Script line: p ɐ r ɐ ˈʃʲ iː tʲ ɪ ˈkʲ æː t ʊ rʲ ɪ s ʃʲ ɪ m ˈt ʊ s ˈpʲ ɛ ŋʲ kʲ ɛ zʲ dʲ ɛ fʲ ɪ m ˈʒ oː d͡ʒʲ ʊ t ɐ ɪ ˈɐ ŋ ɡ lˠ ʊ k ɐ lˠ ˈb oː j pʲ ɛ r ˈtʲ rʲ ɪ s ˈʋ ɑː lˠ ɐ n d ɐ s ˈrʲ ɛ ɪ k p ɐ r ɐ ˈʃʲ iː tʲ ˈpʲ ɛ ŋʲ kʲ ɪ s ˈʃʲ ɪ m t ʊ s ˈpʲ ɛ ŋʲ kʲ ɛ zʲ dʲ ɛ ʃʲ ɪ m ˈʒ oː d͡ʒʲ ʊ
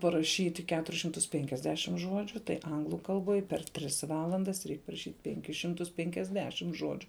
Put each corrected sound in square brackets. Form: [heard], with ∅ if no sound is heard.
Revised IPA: p ɐ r ɐ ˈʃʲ iː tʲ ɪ ˈkʲ æː t ʊ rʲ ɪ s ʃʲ ɪ m ˈt ʊ s ˈpʲ ɛ ŋʲ kʲ ɛ zʲ dʲ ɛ [ʃʲ] ɪ m ˈʒ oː d͡ʒʲ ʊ t ɐ ɪ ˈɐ ŋ ɡ lˠ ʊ k ɐ lˠ ˈb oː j pʲ ɛ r ˈtʲ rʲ ɪ s ˈʋ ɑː lˠ ɐ n d ɐ s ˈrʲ ɛ ɪ k p ɐ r ɐ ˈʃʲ iː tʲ ˈpʲ ɛ ŋʲ kʲ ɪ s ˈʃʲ ɪ m t ʊ s ˈpʲ ɛ ŋʲ kʲ ɛ zʲ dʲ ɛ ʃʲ ɪ m ˈʒ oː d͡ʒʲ ʊ